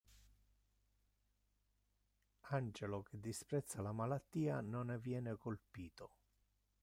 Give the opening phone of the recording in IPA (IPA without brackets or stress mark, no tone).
a